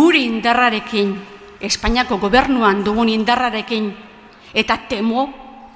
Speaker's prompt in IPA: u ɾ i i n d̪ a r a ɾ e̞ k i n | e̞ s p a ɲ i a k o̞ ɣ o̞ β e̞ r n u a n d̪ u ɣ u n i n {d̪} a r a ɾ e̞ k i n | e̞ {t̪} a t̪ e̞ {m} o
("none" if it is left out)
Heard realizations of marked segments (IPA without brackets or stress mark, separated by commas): d̪, t̪, m